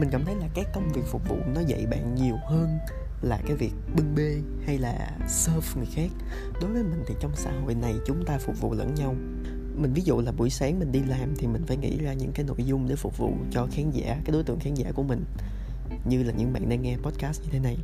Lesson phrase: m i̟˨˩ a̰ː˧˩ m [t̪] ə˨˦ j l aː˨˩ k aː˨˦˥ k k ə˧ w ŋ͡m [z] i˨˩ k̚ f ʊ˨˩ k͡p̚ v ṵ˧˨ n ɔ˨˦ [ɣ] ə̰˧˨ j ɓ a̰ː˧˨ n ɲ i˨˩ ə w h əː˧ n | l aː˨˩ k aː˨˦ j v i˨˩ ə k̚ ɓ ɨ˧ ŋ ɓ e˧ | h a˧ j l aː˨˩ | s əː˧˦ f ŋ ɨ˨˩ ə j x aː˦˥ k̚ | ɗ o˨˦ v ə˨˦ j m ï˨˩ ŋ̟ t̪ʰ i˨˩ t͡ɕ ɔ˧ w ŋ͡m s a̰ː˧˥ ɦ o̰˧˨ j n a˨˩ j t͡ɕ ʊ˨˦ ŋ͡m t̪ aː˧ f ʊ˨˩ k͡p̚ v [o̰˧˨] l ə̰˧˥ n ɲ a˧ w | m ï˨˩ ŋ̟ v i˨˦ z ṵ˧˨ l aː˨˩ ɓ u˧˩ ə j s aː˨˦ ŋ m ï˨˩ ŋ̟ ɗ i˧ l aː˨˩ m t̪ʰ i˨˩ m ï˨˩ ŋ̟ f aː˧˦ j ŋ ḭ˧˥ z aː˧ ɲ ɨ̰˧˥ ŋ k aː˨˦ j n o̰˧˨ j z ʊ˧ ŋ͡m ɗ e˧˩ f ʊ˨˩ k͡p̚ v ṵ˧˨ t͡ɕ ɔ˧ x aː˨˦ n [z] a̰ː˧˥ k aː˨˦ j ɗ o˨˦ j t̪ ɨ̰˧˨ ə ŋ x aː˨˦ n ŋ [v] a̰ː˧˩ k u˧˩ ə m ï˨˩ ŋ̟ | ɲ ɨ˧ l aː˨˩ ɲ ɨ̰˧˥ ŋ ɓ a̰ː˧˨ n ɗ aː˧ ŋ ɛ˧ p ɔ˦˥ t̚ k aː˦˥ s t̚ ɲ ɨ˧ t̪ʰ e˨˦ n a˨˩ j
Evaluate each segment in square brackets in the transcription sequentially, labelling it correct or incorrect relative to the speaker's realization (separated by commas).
incorrect, incorrect, incorrect, incorrect, correct, incorrect